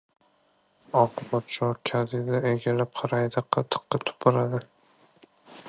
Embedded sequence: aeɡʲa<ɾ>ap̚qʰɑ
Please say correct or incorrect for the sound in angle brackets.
incorrect